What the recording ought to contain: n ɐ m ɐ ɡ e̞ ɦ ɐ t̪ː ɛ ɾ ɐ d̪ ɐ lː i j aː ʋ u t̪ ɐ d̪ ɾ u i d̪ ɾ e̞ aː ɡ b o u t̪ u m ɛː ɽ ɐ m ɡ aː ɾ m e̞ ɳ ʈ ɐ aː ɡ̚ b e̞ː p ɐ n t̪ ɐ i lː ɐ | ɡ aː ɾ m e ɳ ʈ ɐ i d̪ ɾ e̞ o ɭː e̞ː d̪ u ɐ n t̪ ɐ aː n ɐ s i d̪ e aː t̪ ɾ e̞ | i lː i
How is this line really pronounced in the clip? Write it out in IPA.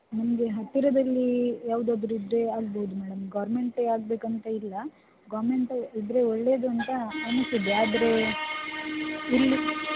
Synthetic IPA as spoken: n ɐ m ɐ ɡ e̞ ɦ ɐ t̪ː i ɾ ɐ d̪ ɐ lː i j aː ʋ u d̪ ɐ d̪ ɾ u i d̪ ɾ e̞ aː ɡ b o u d̪ u m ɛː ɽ ɐ m ɡ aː ɾ m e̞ ɳ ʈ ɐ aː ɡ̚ b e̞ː k ɐ n t̪ ɐ i lː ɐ | ɡ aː ɾ m e ɳ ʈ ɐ i d̪ ɾ e̞ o ɭː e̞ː d̪ u ɐ n t̪ ɐ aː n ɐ s i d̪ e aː d̪ ɾ e̞ | i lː i